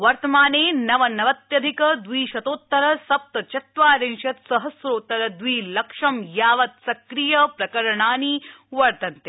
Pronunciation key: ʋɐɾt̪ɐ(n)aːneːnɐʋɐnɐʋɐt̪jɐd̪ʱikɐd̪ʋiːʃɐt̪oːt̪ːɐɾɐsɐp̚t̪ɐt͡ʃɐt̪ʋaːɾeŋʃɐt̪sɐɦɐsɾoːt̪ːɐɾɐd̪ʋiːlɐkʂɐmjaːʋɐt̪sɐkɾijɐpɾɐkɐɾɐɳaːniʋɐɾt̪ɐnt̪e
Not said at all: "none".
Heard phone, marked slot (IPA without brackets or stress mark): m